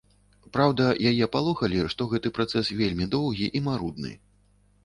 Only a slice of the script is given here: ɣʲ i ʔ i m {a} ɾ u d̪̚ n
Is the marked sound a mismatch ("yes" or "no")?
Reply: no